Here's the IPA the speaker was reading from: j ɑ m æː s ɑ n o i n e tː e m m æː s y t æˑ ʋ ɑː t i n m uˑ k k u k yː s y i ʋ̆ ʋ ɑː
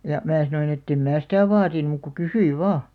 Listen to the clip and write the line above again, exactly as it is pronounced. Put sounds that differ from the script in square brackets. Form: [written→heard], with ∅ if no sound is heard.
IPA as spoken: j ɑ m æː s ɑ n o i n e tː e m m æː s [y→i] t æˑ ʋ ɑː t i n m uˑ k k u k [yː→y] s y i ʋ̆ ʋ ɑː